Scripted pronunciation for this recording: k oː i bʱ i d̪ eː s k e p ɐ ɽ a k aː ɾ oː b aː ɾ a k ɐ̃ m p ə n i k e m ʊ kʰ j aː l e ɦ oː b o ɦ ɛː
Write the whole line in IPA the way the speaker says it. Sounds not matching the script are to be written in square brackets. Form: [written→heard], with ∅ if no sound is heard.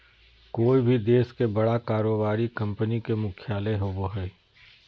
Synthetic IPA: k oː i bʱ i d̪ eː s k e [p→b] ɐ ɽ a k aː ɾ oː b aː ɾ [a→i] k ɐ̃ m p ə n i k e m ʊ kʰ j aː l e ɦ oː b o ɦ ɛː